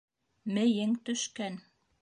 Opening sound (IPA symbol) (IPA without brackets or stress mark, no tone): m